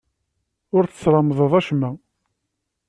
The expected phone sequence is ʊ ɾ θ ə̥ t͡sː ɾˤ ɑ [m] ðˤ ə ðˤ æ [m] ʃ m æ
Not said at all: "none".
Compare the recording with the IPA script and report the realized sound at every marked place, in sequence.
m, none

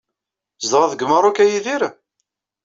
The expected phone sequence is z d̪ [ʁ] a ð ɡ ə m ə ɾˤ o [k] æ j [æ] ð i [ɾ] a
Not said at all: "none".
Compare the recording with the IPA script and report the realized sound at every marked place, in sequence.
ʁ, k, i, ɾ

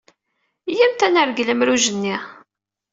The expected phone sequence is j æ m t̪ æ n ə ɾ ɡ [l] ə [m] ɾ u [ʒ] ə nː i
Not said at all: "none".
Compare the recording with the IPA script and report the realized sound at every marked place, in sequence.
l, m, ʒ

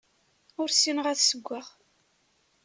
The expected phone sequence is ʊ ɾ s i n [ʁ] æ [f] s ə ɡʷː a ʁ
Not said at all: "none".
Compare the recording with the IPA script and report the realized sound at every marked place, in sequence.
ʁ, θ

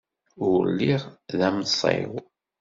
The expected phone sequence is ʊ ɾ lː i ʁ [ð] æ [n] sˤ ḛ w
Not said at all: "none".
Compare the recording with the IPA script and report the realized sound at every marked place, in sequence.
ð, m

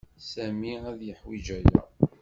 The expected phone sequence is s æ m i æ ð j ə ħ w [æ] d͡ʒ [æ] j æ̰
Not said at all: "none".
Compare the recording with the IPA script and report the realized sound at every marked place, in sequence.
i, æ

